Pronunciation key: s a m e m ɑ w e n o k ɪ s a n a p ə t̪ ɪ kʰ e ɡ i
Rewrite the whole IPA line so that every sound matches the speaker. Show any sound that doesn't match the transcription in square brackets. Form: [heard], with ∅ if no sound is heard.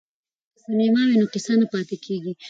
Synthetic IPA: s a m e m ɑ w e n o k ɪ s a n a p [ɑ] t̪ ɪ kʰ e ɡ i